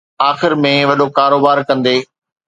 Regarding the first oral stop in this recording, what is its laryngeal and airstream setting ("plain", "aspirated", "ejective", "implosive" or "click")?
implosive